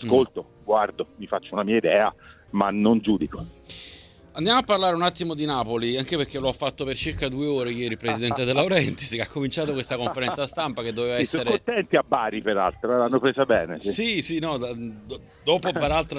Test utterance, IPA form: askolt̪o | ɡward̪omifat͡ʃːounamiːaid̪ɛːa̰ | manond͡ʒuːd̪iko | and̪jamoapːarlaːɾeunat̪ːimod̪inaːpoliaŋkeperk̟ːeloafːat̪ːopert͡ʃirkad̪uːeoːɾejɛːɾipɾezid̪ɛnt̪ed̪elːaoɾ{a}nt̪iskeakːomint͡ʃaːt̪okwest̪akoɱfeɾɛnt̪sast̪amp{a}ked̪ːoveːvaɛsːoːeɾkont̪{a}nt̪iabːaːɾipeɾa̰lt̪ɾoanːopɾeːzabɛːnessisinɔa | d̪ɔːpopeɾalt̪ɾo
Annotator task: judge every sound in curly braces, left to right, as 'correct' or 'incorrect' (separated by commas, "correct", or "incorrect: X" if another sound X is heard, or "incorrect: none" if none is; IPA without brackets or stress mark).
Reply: incorrect: ɛ, correct, incorrect: ɛ